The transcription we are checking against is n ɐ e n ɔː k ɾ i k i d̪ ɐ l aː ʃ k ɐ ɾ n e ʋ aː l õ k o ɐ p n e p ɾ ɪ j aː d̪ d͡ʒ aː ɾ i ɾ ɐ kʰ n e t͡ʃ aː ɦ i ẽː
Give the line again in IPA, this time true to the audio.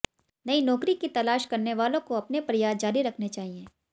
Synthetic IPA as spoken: n ɐ i n ɔː k ɾ i k i t̪ ɐ l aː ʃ k ɐ ɾ n e ʋ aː l õ k o ɐ p n e p ɾ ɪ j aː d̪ d͡ʒ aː ɾ i ɾ ɐ kʰ n e t͡ʃ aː ɦ i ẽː

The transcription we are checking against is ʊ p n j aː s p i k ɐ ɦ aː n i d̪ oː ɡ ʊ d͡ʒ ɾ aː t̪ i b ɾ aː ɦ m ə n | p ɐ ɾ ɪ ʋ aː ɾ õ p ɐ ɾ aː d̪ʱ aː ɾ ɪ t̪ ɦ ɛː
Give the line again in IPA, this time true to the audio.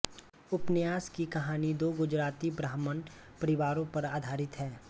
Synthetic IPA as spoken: ʊ p n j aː s k i k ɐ ɦ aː n i d̪ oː ɡ ʊ d͡ʒ ɾ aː t̪ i b ɾ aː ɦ m ə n | p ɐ ɾ ɪ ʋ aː ɾ õ p ɐ ɾ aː d̪ʱ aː ɾ ɪ t̪ ɦ ɛː

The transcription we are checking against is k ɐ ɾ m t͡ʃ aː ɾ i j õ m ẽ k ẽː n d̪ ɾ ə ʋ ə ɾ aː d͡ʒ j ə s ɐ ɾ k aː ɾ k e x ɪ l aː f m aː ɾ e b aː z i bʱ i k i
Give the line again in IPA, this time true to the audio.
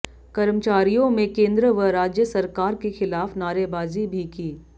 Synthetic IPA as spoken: k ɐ ɾ m t͡ʃ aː ɾ i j õ m ẽ k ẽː n d̪ ɾ ə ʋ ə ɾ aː d͡ʒ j ə s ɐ ɾ k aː ɾ k e x ɪ l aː f n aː ɾ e b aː z i bʱ i k iː

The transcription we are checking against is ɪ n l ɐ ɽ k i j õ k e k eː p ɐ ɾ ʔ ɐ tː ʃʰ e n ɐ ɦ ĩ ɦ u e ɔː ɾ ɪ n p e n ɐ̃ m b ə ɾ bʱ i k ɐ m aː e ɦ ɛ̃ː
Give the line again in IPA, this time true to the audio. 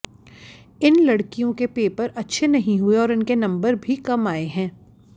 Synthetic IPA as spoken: ɪ n l ɐ ɽ k i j õ k e p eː p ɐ ɾ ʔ ɐ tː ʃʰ e n ɐ ɦ ĩ ɦ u e ɔː ɾ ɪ n k e n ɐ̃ m b ə ɾ bʱ i k ɐ m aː e ɦ ɛ̃ː

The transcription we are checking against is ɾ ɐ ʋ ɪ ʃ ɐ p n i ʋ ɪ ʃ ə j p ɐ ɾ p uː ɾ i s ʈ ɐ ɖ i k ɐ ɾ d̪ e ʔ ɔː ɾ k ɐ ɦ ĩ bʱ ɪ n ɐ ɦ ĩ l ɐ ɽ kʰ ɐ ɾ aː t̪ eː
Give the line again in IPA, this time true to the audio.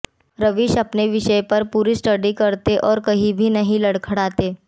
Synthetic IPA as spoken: ɾ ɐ ʋ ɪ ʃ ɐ p n e ʋ ɪ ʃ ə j p ɐ ɾ p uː ɾ i s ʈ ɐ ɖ i k ɐ ɾ t̪ e ʔ ɔː ɾ k ɐ ɦ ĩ bʱ i n ɐ ɦ ĩ l ɐ ɽ kʰ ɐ ɽ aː t̪ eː

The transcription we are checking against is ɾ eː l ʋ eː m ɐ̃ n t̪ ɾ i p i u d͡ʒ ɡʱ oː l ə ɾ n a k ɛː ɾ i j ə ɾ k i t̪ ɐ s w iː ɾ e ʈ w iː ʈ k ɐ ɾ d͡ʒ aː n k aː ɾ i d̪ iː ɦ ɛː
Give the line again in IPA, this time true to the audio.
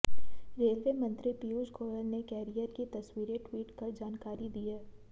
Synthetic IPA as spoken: ɾ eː l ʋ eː m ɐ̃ n t̪ ɾ i p i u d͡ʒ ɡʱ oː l ə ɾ n e k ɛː ɾ i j ə ɾ k i t̪ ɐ s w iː ɾ e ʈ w iː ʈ k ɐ ɾ d͡ʒ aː n k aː ɾ i d̪ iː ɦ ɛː

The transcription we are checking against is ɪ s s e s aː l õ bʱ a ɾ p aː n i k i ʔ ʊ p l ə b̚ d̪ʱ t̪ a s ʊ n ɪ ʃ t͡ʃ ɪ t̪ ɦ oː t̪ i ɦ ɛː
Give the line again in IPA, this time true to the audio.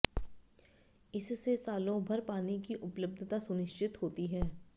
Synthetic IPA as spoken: ɪ s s e s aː l õ bʱ ɐ ɾ p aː n i k i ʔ ʊ p l ə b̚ d̪ʱ t̪ a s ʊ n ɪ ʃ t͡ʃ ɪ t̪ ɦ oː t̪ i ɦ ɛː

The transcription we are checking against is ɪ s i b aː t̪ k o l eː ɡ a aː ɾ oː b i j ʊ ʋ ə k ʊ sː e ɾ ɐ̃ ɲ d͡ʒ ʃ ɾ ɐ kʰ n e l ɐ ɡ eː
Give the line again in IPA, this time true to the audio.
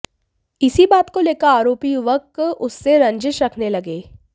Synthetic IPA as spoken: ɪ s i b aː t̪ k o l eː k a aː ɾ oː p i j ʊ ʋ ə k ʊ sː e ɾ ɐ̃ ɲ d͡ʒ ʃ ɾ ɐ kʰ n e l ɐ ɡ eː

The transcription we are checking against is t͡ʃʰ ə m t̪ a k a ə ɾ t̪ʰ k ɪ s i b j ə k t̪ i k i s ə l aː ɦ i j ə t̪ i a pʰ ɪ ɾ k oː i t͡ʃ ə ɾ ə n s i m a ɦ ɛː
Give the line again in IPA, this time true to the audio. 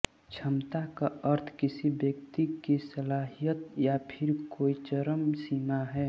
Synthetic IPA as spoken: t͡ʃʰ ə m t̪ a k a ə ɾ t̪ʰ k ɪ s i b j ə k t̪ i k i s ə l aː ɦ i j ə t̪ j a pʰ ɪ ɾ k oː i t͡ʃ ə ɾ ə m s i m a ɦ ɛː

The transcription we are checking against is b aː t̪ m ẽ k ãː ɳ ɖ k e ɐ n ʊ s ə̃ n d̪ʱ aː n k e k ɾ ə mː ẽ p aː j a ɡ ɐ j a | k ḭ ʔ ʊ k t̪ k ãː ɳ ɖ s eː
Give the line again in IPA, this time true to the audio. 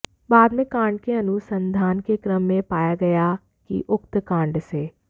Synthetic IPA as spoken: b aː d̪ m ẽ k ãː ɳ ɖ k e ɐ n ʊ s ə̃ n d̪ʱ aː n k e k ɾ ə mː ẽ p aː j a ɡ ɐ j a | k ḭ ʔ ʊ k t̪ k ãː ɳ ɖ s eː

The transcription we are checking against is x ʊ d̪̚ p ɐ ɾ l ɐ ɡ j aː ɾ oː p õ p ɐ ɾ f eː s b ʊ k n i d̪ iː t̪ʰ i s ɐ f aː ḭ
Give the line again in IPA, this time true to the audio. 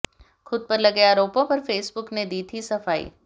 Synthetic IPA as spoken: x ʊ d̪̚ p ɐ ɾ l ɐ ɡ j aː ɾ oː p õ p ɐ ɾ f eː s b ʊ k n e d̪ iː t̪ʰ i s ɐ f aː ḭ

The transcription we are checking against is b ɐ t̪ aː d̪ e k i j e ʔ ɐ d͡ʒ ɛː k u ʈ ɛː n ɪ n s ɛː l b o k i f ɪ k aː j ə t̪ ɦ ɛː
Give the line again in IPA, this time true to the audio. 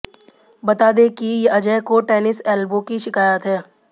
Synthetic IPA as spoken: b ɐ t̪ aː d̪ e k i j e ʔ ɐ d͡ʒ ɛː k o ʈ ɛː n ɪ s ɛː l b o k i ʃ ɪ k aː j ə t̪ ɦ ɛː

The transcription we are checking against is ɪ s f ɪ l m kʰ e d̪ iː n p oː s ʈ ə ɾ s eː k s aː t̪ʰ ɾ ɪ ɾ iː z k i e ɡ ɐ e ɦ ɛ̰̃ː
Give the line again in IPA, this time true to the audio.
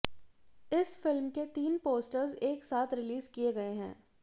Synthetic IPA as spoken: ɪ s f ɪ l m k e t̪ iː n p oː s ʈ ə ɾ z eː k s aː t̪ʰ ɾ ɪ l iː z k i e ɡ ɐ e ɦ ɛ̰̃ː

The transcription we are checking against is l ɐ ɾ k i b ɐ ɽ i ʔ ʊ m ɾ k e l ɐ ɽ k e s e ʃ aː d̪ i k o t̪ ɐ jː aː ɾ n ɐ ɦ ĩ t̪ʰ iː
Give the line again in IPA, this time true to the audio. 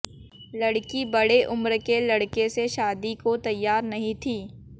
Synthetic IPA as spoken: l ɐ ɽ k i b ɐ ɽ e ʔ ʊ m ɾ k e l ɐ ɽ k e s e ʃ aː d̪ i k o t̪ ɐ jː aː ɾ n ɐ ɦ ĩ t̪ʰ iː

